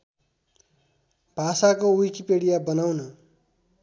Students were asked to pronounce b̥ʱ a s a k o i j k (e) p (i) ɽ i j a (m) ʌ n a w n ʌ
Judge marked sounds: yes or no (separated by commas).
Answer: no, no, no